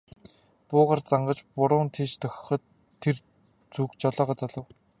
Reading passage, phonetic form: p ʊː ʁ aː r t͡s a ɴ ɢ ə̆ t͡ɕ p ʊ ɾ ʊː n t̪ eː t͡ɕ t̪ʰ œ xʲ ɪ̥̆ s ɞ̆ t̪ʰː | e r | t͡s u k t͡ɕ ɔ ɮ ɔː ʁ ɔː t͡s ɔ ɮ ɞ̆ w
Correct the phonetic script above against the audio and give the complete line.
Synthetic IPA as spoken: p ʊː ʁ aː r t͡s a ɴ ɢ ə̆ t͡ɕ p ʊ ɾ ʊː n t̪ʰ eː t͡ɕ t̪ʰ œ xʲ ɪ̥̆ χ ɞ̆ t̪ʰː | e r | t͡s u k t͡ɕ ɔ ɮ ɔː ʁ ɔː t͡s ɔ ɮ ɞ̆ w